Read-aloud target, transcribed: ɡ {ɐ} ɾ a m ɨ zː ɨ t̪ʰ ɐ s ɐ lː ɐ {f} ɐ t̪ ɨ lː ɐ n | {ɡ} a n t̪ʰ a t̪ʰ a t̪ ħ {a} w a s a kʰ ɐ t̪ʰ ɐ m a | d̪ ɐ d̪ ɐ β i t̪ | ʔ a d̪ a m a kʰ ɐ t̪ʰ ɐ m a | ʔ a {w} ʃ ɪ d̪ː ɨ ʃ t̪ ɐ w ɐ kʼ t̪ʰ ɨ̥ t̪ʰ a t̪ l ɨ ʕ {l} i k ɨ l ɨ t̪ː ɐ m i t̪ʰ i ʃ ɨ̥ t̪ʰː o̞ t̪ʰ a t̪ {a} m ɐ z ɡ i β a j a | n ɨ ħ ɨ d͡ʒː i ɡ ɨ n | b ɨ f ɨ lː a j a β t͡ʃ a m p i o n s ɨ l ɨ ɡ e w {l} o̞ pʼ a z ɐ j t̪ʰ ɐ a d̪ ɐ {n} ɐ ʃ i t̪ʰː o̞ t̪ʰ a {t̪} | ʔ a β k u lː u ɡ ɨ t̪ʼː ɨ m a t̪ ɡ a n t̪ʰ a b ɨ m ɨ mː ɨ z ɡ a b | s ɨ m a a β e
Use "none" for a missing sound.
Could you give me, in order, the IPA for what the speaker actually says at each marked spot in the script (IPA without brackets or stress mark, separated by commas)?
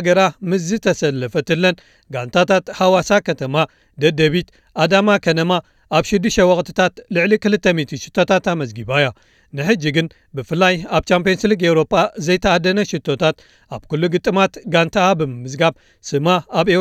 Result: ɐ, f, ɡ, a, β, l, a, ɾ, n, t̪